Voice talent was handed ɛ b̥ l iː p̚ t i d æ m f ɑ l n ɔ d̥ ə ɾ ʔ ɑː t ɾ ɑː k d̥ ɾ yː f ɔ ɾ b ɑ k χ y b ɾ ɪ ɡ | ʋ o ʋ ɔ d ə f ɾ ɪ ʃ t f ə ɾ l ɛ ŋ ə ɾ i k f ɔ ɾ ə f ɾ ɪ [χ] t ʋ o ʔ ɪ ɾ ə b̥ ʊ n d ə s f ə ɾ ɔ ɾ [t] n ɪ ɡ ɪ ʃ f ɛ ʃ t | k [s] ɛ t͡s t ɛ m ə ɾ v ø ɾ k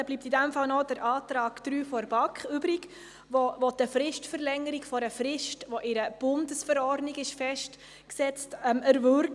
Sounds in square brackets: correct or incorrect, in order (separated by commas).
incorrect, incorrect, correct